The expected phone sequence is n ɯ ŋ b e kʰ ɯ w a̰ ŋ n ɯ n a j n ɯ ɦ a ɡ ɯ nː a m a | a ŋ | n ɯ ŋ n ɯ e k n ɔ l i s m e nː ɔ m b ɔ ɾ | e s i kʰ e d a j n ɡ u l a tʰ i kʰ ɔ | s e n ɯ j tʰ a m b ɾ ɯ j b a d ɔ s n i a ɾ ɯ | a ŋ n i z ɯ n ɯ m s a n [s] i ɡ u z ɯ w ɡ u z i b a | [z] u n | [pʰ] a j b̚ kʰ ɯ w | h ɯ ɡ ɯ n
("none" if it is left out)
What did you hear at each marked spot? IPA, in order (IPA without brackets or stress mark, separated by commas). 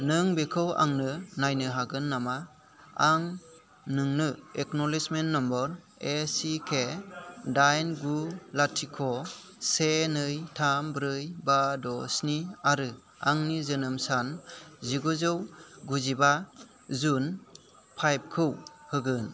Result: z, z, pʰ